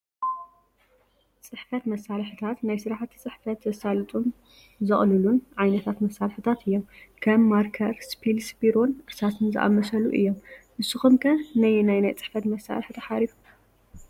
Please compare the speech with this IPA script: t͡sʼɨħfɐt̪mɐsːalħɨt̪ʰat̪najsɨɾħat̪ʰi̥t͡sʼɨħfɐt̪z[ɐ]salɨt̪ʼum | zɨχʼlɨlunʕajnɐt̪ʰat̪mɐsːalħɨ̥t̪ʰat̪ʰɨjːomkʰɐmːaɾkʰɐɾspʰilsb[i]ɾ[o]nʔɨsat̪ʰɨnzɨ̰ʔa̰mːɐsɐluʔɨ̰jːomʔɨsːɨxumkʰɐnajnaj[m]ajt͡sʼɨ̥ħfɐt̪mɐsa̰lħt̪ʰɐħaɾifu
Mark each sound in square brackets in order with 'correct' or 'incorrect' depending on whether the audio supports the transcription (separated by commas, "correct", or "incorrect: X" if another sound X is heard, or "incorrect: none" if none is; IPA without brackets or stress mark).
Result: correct, correct, correct, incorrect: n